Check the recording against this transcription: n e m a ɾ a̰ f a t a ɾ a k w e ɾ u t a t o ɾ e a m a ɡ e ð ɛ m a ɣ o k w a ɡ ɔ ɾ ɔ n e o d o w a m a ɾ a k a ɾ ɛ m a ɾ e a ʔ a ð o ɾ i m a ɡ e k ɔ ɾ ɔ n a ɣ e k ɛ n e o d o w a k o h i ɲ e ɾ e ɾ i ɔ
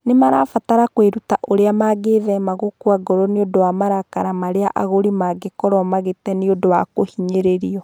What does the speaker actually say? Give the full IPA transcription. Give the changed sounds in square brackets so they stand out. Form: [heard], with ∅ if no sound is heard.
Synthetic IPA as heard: n e m a ɾ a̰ f a t a ɾ a k w e ɾ u t a [ʔ] o ɾ e a m a ɡ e ð ɛ m a ɣ o k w a ɡ ɔ ɾ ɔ n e o d o w a m a ɾ a k a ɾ [a] m a ɾ e a ʔ a [ɣ] o ɾ i m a ɡ e k ɔ ɾ ɔ [m] a ɣ e [t] ɛ n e o d o w a k o h i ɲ e ɾ e ɾ i ɔ